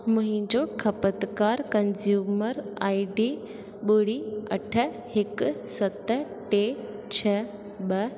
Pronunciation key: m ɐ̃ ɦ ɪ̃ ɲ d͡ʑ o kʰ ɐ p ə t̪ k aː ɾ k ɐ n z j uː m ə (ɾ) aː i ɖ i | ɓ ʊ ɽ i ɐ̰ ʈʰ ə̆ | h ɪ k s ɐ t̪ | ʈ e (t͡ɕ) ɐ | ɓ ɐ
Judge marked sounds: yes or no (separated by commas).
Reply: yes, no